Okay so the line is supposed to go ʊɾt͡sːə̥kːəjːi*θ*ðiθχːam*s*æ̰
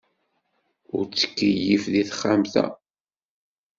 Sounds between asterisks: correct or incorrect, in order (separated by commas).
incorrect, incorrect